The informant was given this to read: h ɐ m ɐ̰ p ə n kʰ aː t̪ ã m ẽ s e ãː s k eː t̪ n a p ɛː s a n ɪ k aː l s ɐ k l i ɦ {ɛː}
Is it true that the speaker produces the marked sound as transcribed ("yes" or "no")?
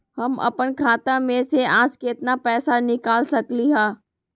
no